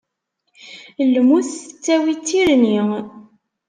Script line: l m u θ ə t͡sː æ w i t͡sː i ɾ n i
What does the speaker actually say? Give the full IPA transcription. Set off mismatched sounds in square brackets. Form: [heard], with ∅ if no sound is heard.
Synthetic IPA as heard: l m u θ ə t͡sː æ w i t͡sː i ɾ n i

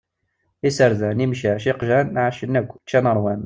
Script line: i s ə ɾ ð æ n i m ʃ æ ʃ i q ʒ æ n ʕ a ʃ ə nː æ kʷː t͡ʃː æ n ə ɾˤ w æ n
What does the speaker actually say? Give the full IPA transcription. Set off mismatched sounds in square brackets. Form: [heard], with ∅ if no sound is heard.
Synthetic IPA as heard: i s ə ɾ ð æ n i m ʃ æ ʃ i q ʒ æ n ʕ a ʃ ə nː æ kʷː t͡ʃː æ n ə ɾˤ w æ n

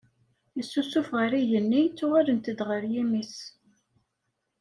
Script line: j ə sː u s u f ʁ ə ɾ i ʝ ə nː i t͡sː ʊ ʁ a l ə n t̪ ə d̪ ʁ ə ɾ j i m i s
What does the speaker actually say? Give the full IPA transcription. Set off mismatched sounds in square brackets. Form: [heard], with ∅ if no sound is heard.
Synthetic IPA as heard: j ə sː u s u f ʁ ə ɾ i ʝ ə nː i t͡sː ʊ ʁ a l ə n t̪ ə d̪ ʁ ə ɾ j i m i s

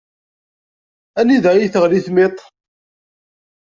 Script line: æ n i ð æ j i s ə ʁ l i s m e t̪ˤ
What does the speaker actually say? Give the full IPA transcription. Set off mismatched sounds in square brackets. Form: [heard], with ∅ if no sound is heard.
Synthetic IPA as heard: æ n i ð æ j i [θ] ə ʁ l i [θ] m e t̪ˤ

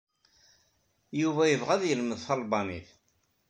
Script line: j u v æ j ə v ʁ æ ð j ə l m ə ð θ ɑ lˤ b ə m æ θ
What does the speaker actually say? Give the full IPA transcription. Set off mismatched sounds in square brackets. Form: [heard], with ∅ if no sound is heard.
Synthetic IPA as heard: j u v æ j ə v ʁ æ ð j ə l m ə ð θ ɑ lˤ b [ɑ] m [i] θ

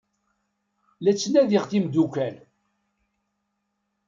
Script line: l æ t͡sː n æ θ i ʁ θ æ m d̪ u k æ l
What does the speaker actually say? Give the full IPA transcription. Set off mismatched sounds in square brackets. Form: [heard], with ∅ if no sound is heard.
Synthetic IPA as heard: l æ t͡sː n æ [ð] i ʁ θ [i] m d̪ u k æ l

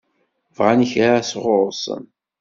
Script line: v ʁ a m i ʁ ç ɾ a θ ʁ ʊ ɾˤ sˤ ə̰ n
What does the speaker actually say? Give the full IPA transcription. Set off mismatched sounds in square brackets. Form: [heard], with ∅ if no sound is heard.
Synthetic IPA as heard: v ʁ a [n] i [∅] ç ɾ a [s] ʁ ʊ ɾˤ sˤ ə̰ n

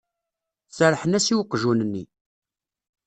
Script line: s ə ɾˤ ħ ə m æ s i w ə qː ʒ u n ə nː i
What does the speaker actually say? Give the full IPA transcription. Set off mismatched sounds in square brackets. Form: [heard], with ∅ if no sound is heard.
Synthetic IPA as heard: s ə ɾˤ ħ ə [n] æ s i w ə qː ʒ u n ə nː i

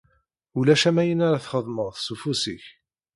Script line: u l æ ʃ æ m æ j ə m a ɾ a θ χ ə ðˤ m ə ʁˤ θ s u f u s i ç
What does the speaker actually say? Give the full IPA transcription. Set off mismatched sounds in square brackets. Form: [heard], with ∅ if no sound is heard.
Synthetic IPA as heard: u l æ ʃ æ m æ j ə [n] a ɾ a θ χ ə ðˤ m ə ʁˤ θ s u f u s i ç

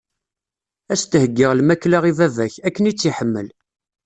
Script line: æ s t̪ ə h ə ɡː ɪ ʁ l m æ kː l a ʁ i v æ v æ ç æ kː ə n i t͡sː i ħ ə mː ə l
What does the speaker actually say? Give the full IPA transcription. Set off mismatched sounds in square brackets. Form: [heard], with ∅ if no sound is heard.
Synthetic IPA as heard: æ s t̪ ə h ə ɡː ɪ ʁ l m æ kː l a ʁ i v æ v æ ç æ kː ə n i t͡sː i ħ ə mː ə l

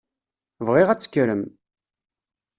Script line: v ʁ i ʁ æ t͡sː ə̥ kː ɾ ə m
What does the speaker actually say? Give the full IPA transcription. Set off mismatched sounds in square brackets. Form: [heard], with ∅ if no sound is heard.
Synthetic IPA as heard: v ʁ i ʁ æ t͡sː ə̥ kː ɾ ə m

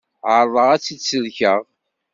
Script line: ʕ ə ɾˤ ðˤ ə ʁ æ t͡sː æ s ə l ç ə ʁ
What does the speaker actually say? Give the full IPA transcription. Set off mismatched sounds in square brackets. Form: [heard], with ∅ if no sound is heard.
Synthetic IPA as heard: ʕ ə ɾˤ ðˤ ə ʁ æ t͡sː [i] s ə l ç ə ʁ

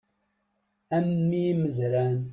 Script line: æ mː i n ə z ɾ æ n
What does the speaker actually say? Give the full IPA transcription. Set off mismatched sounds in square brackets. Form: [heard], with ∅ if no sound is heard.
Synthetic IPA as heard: æ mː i [m] ə z ɾ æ n

